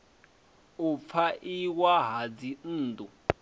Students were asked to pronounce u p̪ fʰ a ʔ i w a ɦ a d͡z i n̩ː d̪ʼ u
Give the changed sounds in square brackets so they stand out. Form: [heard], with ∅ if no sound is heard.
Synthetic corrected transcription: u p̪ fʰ a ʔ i w a ɦ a d͡z i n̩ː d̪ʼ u